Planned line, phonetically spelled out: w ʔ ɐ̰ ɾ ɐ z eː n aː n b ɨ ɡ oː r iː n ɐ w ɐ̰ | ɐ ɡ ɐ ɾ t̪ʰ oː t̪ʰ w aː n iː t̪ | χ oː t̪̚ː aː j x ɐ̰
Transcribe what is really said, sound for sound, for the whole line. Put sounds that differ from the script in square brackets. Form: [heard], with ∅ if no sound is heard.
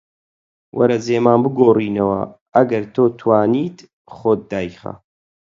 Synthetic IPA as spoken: w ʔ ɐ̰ ɾ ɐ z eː [m] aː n b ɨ ɡ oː r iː n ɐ w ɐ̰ | ɐ ɡ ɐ ɾ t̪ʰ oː t̪ʰ w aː n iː t̪ | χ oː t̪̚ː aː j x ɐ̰